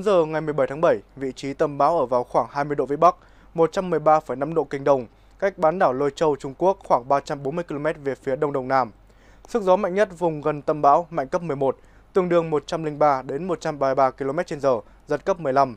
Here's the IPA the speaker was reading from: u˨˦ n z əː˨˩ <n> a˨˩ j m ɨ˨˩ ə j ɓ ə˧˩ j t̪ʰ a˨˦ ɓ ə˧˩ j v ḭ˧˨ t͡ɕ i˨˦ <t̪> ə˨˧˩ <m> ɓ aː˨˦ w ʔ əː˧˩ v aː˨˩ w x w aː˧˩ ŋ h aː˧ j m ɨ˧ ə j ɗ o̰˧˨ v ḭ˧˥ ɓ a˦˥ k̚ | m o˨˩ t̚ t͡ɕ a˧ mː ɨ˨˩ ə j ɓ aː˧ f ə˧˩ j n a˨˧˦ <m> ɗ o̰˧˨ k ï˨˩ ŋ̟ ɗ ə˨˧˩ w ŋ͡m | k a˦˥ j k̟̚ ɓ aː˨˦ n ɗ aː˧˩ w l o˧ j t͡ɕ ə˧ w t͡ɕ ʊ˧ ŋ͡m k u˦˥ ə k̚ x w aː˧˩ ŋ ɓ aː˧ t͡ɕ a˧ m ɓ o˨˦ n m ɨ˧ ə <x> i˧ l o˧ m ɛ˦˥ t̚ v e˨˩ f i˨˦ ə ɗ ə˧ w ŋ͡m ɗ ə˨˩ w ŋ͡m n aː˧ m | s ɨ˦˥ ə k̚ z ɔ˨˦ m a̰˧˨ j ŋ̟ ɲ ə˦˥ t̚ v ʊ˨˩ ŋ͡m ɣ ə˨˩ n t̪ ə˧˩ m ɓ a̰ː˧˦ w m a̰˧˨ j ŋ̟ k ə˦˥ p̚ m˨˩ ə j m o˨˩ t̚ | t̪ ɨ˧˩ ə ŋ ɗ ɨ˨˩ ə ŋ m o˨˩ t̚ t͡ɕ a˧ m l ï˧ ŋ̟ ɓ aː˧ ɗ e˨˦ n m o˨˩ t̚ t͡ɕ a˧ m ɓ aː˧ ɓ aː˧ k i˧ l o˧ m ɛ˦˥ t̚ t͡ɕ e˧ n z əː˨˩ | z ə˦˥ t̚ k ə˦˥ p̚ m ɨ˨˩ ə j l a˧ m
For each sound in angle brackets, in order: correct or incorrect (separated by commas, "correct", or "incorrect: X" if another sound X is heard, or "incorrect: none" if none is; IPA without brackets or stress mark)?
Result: incorrect: ŋ, correct, correct, correct, incorrect: k